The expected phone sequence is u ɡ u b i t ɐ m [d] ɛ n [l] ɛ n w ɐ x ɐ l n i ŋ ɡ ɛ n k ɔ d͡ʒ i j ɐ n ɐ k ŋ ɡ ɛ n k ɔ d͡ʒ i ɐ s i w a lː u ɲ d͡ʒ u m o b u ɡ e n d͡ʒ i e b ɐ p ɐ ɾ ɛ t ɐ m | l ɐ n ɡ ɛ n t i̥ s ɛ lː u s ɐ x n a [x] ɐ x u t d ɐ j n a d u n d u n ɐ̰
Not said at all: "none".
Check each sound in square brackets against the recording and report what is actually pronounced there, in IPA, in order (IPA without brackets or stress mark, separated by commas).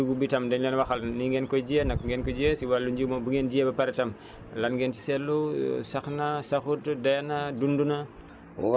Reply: d, l, s